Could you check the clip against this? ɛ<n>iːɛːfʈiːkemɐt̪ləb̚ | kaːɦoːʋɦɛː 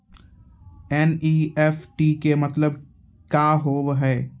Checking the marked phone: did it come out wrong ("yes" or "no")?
no